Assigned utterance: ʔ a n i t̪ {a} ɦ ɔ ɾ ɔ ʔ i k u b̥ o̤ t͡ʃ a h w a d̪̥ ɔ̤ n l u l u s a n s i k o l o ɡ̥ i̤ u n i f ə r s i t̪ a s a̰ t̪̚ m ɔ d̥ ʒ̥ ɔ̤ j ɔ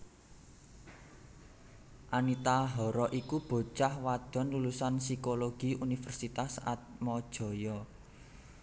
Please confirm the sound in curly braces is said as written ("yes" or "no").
yes